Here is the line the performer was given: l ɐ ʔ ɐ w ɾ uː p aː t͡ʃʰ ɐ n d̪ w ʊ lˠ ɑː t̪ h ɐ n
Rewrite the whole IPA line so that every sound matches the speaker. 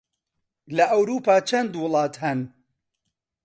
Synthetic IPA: l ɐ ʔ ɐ w ɾ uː p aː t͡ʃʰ ɐ n d̪ w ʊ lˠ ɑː t̪ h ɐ n